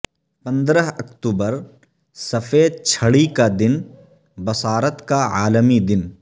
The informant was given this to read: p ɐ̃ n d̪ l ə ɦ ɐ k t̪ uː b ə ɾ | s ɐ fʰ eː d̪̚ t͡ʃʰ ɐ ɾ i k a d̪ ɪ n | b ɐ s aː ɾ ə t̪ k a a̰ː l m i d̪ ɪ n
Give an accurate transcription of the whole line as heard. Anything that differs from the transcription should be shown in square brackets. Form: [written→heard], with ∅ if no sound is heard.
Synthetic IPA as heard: p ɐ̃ n d̪ [l→ɾ] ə ɦ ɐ k t̪ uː b ə ɾ | s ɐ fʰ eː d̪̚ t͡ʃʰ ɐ [ɾ→ɽ] i k a d̪ ɪ n | b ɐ s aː ɾ ə t̪ k a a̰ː l m i d̪ ɪ n

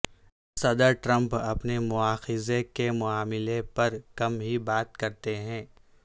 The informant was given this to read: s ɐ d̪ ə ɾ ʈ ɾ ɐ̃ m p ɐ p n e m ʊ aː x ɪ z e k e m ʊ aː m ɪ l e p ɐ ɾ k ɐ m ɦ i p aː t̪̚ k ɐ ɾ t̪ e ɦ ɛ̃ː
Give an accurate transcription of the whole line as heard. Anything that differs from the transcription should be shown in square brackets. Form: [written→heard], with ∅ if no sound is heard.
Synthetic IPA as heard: s ɐ d̪ ə ɾ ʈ ɾ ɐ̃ m p ɐ p n e m ʊ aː x ɪ z e k e m ʊ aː m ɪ l e p ɐ ɾ k ɐ m ɦ i [p→b] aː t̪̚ k ɐ ɾ t̪ e ɦ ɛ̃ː

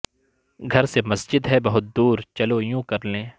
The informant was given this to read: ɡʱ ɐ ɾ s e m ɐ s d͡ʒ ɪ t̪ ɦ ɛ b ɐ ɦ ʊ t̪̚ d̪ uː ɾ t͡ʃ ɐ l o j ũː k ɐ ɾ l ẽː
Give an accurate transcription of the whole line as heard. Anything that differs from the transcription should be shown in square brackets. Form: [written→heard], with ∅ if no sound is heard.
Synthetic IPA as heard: ɡʱ ɐ ɾ s e m ɐ s d͡ʒ ɪ [t̪→d̪] ɦ ɛ b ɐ ɦ ʊ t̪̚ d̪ uː ɾ t͡ʃ ɐ l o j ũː k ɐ ɾ l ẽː

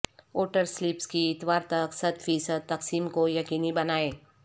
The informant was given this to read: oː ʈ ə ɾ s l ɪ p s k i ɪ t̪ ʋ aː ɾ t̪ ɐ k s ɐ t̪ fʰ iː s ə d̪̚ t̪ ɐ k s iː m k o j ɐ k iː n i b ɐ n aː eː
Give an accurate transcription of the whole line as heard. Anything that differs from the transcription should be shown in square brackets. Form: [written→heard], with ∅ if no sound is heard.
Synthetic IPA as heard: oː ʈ ə ɾ s l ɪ p s k i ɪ t̪ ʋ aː ɾ t̪ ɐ k s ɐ t̪ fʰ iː s ə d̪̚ t̪ ɐ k s iː m k o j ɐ k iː n i b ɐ n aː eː

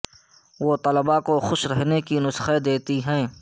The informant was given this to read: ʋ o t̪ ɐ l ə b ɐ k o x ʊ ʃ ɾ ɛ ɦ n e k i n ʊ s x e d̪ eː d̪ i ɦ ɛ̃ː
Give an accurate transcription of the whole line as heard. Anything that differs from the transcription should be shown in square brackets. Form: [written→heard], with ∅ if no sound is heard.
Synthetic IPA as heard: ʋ o t̪ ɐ l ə b [ɐ→a] k o x ʊ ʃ ɾ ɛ ɦ n e k i n ʊ s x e d̪ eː [d̪→t̪] i ɦ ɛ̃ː

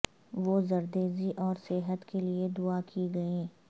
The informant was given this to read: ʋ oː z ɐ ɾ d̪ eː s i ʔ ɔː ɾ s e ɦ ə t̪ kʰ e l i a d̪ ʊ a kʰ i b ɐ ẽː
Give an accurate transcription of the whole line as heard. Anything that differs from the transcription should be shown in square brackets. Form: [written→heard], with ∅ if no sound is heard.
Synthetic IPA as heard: ʋ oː z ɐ ɾ d̪ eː [s→z] i ʔ ɔː ɾ s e ɦ ə t̪ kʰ e l i [a→e] d̪ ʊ a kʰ i [b→ɡ] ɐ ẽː

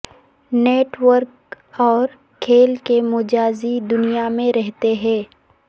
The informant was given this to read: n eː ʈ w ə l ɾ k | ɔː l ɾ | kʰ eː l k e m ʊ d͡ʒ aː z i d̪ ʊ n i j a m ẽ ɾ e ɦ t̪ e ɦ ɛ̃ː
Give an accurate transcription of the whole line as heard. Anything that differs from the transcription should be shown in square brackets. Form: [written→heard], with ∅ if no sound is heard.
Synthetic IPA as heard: n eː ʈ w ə [l→∅] ɾ k | ɔː [l→∅] ɾ | kʰ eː l k e m ʊ d͡ʒ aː z i d̪ ʊ n i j a m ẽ ɾ [e→ɛ] ɦ t̪ e ɦ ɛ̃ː

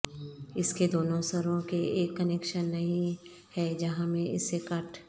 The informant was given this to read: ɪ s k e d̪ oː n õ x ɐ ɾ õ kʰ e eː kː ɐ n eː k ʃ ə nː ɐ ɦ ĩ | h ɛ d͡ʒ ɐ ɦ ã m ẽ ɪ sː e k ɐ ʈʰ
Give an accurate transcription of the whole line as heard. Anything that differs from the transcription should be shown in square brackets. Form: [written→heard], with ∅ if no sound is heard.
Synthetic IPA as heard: ɪ s k e d̪ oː n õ [x→s] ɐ ɾ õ [kʰ→k] e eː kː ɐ n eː k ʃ ə nː ɐ ɦ ĩ | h ɛ d͡ʒ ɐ ɦ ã m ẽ ɪ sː e k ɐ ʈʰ

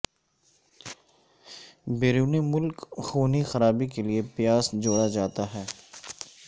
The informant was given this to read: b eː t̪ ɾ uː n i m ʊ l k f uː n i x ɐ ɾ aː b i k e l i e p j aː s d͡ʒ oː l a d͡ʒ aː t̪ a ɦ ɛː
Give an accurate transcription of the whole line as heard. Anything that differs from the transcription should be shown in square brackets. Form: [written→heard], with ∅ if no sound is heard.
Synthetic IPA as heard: b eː [t̪→∅] ɾ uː n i m ʊ l k [f→x] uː n i x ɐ ɾ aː b i k e l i e p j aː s d͡ʒ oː [l→ɽ] a d͡ʒ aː t̪ a ɦ ɛː

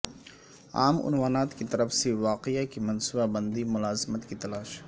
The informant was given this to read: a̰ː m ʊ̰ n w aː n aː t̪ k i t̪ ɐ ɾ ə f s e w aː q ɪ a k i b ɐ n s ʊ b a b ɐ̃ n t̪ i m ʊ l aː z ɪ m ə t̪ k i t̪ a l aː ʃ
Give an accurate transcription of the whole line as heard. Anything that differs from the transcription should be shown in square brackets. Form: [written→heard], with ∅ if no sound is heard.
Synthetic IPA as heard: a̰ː m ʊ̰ n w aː n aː t̪ k i t̪ ɐ ɾ ə f s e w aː q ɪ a k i [b→m] ɐ n s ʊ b a b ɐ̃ n [t̪→d̪] i m ʊ l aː z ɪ m ə t̪ k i t̪ [a→ɐ] l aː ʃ

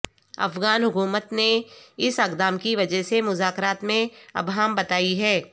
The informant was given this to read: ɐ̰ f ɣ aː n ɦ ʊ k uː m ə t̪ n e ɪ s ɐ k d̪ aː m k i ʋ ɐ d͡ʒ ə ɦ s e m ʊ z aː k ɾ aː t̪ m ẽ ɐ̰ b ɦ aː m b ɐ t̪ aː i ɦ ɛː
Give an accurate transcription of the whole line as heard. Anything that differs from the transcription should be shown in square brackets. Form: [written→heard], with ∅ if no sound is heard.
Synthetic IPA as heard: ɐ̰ f ɣ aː n ɦ ʊ k uː m ə t̪ n e ɪ s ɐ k d̪ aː m k i ʋ ɐ d͡ʒ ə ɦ s e m ʊ z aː k ɾ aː t̪ m ẽ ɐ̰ b ɦ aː m b ɐ t̪ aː i ɦ ɛː

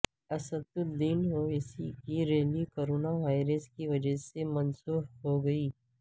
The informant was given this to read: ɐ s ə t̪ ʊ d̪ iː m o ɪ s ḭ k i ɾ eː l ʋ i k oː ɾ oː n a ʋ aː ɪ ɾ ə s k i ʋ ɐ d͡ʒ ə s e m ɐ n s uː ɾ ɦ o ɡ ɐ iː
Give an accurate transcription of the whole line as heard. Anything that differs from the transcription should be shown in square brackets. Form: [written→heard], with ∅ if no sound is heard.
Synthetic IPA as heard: ɐ s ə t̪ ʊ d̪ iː [m→n] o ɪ s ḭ k i ɾ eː l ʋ i k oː ɾ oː n a ʋ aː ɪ ɾ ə s k i ʋ ɐ d͡ʒ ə s e m ɐ n s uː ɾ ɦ o ɡ ɐ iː

